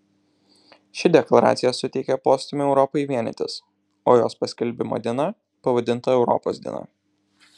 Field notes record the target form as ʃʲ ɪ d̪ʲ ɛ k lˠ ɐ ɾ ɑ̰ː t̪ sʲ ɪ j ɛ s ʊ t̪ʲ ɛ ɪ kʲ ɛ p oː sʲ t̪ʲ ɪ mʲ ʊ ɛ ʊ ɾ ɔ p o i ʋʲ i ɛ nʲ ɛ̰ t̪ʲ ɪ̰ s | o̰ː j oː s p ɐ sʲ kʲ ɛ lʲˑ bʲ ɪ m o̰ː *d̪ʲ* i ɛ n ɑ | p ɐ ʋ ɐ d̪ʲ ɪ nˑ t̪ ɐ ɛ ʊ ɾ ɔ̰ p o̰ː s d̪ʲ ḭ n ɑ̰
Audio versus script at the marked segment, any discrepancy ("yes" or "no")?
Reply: no